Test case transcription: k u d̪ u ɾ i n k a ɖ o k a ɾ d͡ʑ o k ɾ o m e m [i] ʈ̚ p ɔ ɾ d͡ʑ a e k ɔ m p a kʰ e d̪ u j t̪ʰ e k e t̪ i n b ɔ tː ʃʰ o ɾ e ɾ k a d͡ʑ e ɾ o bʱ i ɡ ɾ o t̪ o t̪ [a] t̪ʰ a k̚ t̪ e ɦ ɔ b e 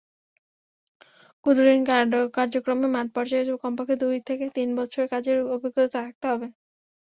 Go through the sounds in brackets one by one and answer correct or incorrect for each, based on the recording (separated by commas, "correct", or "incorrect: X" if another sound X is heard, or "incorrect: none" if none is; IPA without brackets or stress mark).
incorrect: a, correct